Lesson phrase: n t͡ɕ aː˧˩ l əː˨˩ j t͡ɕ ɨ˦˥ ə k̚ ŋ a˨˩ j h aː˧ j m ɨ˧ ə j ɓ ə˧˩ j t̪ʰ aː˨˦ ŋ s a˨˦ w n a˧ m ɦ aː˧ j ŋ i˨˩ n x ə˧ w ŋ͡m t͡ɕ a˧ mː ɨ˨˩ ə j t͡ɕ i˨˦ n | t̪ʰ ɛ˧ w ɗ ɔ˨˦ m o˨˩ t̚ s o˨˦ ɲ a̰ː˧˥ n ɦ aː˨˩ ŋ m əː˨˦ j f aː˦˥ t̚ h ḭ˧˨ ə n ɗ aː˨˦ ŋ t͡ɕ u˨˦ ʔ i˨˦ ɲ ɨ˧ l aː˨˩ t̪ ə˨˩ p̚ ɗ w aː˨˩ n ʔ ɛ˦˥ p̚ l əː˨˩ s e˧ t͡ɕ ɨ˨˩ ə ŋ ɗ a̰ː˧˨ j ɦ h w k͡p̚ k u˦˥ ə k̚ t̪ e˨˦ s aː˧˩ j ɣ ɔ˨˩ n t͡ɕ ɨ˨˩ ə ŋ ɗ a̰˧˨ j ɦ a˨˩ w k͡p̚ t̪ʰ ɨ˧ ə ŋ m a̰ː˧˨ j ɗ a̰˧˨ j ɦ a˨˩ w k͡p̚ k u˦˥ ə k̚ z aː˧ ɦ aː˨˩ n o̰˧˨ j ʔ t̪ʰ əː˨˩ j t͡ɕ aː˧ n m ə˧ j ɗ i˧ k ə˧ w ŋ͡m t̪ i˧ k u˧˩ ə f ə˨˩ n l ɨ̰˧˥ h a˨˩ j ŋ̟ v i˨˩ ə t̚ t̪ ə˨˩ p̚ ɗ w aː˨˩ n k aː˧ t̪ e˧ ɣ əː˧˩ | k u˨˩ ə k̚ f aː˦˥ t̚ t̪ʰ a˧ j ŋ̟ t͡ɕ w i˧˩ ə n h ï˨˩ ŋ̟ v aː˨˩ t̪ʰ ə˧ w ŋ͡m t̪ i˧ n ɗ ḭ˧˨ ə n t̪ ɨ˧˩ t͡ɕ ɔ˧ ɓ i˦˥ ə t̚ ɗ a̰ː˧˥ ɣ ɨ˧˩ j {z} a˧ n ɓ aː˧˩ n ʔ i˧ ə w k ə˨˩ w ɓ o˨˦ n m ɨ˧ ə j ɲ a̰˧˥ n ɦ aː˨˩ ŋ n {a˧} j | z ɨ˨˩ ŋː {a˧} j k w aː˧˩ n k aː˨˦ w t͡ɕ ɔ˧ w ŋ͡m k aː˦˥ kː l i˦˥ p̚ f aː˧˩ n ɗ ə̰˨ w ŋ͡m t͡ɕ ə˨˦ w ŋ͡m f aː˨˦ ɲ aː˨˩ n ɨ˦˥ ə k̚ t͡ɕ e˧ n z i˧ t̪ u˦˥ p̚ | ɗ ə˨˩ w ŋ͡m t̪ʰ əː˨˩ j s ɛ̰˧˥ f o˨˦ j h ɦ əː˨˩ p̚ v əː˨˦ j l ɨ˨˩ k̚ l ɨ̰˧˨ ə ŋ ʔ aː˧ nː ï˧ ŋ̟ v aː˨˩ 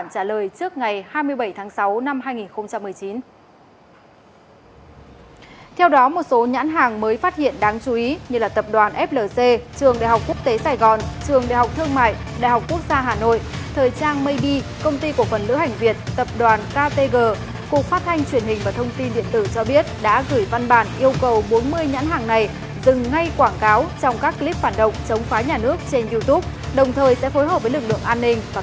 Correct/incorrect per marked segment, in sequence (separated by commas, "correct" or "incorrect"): incorrect, incorrect, correct